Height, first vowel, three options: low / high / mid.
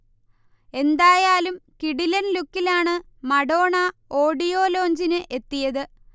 mid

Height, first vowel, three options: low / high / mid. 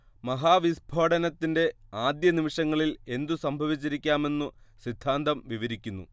low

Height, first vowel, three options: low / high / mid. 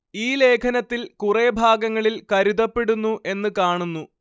high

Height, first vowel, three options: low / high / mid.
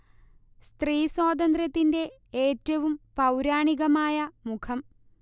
high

